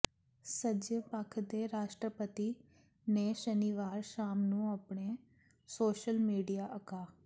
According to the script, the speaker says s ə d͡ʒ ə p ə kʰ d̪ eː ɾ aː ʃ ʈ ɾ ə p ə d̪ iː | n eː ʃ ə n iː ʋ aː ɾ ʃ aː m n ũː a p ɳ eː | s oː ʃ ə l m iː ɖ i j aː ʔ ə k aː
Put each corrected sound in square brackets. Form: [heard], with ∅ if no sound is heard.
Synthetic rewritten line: s ə d͡ʒ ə p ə kʰ d̪ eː ɾ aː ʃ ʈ ɾ ə p ə [t̪] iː | n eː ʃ ə n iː ʋ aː ɾ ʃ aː m n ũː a p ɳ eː | s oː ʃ ə l m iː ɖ i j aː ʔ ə k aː

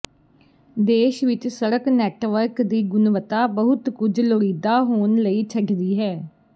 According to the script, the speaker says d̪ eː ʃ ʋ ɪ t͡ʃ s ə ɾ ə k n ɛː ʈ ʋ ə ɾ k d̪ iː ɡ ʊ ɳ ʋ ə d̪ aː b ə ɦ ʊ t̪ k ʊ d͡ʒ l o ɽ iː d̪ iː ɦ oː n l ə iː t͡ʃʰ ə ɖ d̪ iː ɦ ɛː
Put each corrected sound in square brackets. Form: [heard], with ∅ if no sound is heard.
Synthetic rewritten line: d̪ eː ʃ ʋ ɪ t͡ʃ s ə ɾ ə k n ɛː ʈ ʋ ə ɾ k d̪ iː ɡ ʊ [n] ʋ ə [t̪] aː b ə ɦ ʊ t̪ k ʊ d͡ʒ l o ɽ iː d̪ [aː] ɦ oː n l ə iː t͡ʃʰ ə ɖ d̪ iː ɦ ɛː

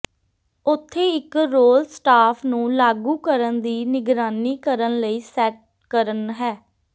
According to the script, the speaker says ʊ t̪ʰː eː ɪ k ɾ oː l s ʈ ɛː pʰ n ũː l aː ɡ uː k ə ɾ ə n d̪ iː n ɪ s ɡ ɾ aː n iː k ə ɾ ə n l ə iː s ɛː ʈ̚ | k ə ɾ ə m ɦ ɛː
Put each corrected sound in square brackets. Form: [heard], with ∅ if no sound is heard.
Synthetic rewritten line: ʊ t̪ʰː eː ɪ k ɾ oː l s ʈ [aː] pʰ n ũː l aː ɡ uː k ə ɾ ə n d̪ iː n ɪ [∅] ɡ ɾ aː n iː k ə ɾ ə n l ə iː s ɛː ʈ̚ | k ə ɾ ə [n] ɦ ɛː

